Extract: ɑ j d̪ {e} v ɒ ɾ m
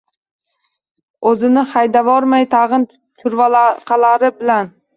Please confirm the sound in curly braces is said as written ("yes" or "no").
no